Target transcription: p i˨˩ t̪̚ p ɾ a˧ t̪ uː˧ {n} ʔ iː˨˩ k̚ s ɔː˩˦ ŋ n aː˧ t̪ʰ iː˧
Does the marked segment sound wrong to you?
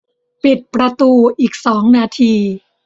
yes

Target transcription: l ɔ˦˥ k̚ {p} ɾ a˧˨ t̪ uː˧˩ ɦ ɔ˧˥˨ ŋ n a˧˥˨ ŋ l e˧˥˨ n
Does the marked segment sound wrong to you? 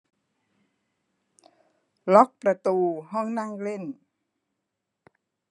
no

